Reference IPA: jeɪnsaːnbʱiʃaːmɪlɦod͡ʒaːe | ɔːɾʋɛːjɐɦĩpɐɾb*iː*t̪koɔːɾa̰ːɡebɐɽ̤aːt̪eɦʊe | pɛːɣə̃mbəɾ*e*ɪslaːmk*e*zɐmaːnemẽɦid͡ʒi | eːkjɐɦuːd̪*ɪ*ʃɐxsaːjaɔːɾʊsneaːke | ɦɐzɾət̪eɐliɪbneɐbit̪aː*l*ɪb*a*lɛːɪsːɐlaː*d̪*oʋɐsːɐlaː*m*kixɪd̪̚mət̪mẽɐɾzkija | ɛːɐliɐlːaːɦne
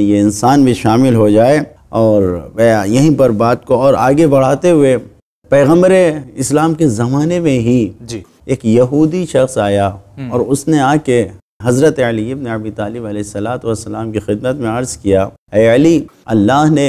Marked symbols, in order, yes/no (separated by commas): no, yes, yes, no, yes, no, no, yes